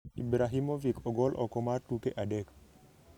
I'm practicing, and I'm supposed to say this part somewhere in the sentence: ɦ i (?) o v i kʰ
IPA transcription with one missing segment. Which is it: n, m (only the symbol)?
m